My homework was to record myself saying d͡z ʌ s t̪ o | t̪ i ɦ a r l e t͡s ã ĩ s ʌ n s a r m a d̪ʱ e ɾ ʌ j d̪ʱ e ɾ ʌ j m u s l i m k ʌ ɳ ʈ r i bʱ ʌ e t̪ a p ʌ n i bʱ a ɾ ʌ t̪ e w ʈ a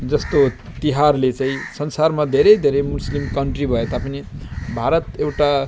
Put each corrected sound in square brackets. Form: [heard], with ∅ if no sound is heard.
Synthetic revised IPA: d͡z ʌ s t̪ o | t̪ i ɦ a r l e t͡s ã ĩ s ʌ n s a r m a d̪ʱ e ɾ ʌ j d̪ʱ e ɾ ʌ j m u s l i m k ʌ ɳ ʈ r i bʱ ʌ e t̪ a p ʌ n i bʱ a ɾ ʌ t̪ e w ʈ a

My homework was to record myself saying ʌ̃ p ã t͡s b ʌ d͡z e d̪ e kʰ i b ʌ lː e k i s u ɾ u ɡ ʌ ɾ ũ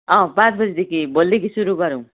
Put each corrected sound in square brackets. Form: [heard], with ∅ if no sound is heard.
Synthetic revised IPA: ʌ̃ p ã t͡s b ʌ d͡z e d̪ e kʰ i b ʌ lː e k i s u ɾ u ɡ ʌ ɾ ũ

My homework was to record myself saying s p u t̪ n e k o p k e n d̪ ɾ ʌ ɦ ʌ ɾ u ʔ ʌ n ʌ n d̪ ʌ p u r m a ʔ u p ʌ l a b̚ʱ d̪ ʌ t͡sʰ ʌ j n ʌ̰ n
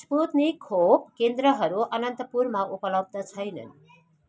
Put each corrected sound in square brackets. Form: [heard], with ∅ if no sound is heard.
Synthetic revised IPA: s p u t̪ n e [kʰ] o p k e n d̪ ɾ ʌ ɦ ʌ ɾ u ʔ ʌ n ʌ n [t̪] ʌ p u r m a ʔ u p ʌ l [ʌ] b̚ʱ d̪ ʌ t͡sʰ ʌ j n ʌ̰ n

